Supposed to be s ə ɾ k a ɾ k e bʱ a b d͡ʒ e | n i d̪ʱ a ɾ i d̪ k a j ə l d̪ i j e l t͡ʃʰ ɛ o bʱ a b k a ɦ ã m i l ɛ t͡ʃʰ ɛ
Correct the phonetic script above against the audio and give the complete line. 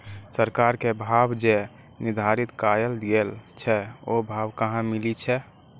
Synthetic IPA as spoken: s ə ɾ k a ɾ k e bʱ a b d͡ʒ e | n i d̪ʱ a ɾ i t̪ k a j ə l d̪ i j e l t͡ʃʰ ɛ o bʱ a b k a ɦ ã m i l i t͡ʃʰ ɛ